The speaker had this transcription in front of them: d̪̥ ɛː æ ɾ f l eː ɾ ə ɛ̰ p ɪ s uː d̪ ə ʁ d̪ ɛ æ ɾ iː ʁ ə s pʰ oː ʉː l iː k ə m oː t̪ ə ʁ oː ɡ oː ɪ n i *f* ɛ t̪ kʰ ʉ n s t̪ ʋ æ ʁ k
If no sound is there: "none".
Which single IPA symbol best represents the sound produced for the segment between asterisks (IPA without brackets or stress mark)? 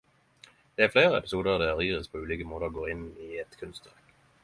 none